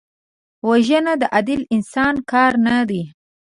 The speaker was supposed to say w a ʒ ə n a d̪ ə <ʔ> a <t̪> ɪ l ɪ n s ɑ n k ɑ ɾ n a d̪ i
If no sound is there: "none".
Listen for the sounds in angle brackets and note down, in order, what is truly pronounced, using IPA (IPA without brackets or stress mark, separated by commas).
ʔ, d̪